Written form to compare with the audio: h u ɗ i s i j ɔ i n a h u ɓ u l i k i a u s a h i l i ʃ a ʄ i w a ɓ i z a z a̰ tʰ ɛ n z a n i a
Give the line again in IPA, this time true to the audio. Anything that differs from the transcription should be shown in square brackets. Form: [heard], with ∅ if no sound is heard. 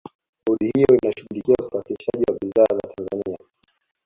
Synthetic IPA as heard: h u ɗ i [h] i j ɔ i n a [ʃ] u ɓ u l i k i a u s a [f] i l i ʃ a ʄ i w a ɓ i z a z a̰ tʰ [a] n z a n i a